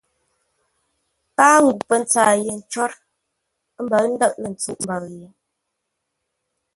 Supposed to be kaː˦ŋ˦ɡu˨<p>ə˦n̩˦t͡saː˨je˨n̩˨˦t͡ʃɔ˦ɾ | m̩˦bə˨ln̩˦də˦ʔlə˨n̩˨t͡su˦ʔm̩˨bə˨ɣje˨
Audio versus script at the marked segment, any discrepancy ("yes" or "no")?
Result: no